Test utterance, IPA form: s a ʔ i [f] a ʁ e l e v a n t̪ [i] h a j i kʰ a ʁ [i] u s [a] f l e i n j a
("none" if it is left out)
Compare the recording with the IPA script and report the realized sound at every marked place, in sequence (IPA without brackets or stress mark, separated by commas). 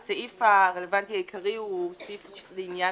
f, i, i, i